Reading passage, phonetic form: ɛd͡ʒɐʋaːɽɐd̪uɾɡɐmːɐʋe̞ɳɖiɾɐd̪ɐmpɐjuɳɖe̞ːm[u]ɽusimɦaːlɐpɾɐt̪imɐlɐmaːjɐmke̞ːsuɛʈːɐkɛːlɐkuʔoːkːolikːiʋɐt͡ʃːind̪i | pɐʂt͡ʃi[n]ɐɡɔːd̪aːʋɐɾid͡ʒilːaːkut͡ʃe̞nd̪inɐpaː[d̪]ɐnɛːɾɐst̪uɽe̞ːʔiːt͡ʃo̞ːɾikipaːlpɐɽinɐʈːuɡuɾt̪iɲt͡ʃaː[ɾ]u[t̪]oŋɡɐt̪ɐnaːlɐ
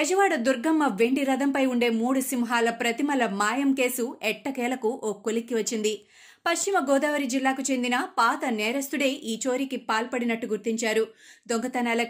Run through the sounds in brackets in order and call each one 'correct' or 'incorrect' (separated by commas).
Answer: incorrect, incorrect, incorrect, correct, incorrect